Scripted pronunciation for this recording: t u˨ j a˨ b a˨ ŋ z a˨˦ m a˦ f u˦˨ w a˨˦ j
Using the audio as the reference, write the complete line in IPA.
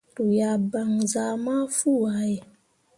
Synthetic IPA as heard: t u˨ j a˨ b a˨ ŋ z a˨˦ m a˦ f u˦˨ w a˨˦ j